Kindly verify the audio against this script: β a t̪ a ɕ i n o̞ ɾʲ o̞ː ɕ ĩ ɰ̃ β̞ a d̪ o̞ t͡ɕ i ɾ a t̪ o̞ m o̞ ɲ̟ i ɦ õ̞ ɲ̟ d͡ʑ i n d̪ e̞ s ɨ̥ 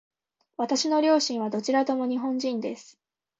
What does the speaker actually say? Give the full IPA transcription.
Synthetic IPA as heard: β a t̪ a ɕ i n o̞ ɾʲ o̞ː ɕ ĩ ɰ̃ β̞ a d̪ o̞ t͡ɕ i ɾ a t̪ o̞ m o̞ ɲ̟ i ɦ õ̞ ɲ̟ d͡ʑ ĩ n d̪ e̞ s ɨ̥